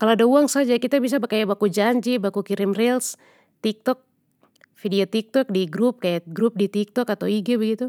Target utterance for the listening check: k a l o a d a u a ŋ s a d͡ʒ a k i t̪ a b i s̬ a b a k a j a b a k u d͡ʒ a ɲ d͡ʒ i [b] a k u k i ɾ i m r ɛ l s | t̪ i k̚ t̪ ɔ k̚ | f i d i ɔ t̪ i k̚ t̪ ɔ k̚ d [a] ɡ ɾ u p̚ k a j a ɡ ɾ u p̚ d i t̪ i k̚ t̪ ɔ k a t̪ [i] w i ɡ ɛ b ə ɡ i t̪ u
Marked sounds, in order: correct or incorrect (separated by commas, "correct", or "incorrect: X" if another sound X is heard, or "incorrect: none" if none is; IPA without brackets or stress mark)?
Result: correct, incorrect: i, incorrect: a